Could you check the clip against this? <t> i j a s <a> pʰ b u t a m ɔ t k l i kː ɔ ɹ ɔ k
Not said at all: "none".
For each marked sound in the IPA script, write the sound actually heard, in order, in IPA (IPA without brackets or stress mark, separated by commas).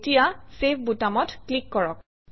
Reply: t, e